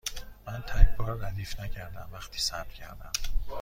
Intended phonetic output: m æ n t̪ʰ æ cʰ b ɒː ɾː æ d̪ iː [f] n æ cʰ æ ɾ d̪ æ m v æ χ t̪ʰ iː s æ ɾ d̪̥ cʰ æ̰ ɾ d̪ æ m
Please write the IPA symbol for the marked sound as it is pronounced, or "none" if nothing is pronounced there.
f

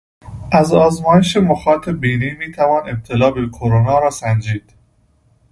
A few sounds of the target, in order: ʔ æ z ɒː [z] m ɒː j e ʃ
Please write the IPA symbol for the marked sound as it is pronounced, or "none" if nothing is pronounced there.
z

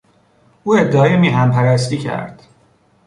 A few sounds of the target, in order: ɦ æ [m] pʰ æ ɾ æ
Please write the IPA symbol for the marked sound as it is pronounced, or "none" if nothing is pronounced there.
m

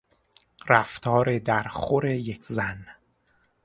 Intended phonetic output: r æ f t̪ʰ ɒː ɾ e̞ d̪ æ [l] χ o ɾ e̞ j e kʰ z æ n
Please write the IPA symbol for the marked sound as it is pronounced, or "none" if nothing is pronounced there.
ɾ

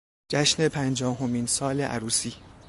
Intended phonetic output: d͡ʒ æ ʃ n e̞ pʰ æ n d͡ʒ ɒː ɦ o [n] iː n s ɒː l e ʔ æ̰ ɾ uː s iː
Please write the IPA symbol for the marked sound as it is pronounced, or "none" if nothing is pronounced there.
m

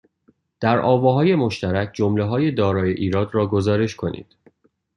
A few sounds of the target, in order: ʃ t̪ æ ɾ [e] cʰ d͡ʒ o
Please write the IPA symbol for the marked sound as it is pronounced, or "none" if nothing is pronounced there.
æ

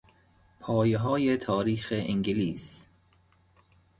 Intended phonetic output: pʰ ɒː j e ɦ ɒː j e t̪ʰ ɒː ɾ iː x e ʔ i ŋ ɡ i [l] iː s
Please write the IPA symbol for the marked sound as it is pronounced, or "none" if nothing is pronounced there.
l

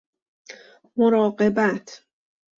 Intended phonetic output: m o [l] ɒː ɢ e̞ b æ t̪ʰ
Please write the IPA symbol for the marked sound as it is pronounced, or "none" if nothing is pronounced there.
ɾ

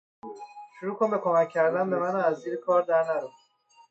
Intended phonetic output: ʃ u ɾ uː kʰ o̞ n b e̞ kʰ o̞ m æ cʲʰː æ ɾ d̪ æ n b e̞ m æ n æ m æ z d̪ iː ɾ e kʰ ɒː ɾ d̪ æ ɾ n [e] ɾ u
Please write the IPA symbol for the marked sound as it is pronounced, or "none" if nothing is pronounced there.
æ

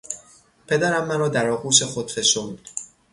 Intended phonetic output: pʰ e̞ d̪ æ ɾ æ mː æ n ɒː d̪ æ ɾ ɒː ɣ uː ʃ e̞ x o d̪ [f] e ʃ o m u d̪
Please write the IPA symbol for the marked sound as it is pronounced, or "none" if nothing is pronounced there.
f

